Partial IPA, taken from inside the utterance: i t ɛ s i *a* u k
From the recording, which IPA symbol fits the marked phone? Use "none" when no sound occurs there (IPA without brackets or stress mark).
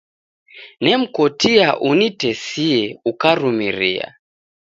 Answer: ɛ